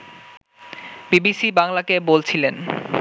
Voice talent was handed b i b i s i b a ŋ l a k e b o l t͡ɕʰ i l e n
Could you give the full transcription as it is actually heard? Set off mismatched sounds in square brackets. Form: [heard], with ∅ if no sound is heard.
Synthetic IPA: b i b i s i b a ŋ l a k e b o l t͡ɕʰ i l e n